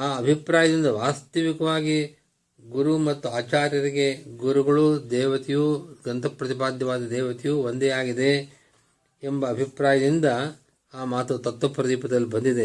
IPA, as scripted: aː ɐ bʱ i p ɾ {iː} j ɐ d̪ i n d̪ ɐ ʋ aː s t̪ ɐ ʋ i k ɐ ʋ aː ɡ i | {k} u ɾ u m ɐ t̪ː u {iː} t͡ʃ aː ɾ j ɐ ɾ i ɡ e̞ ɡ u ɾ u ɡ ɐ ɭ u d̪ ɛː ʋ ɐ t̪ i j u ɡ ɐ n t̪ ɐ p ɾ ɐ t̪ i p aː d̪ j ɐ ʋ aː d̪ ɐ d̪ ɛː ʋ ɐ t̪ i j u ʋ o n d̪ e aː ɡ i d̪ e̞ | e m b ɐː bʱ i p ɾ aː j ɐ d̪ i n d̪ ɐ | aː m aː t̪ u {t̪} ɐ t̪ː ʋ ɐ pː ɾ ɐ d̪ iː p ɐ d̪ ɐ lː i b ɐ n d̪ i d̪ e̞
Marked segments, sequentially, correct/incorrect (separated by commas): incorrect, incorrect, incorrect, correct